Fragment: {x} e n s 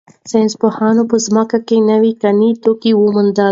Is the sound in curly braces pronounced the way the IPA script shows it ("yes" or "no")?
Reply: no